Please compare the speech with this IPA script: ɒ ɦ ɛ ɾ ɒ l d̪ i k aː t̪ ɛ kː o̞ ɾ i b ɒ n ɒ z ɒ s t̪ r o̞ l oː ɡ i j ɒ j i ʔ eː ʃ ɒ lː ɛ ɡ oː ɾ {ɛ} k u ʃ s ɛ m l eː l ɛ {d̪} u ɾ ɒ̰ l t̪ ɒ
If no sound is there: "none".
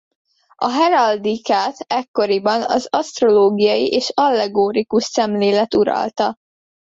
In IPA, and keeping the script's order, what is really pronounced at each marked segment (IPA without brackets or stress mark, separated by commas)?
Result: i, t̪